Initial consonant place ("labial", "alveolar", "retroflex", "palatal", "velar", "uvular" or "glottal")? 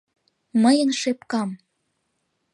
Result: labial